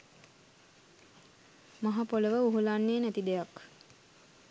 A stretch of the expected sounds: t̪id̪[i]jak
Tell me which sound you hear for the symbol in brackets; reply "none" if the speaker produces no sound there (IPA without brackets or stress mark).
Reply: e